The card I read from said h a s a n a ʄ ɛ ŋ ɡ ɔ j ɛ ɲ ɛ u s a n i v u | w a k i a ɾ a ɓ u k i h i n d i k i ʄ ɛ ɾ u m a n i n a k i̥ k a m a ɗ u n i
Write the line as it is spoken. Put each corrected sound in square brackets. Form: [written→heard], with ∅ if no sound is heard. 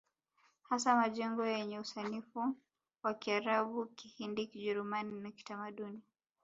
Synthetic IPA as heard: h a s a [n→m] a ʄ ɛ ŋ ɡ ɔ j ɛ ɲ ɛ u s a n i [v→f] u | w a k i a ɾ a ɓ u k i h i n d i k i ʄ ɛ ɾ u m a n i n a k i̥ [k→t] a m a ɗ u n i